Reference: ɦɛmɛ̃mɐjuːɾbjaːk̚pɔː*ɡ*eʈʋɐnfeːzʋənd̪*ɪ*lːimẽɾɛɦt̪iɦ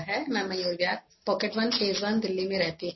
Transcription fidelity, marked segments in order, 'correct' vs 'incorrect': incorrect, correct

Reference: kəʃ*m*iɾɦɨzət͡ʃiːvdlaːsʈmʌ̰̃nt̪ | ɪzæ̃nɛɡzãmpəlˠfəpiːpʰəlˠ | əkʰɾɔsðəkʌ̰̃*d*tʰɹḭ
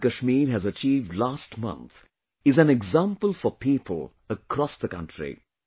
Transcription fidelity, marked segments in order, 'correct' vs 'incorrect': correct, incorrect

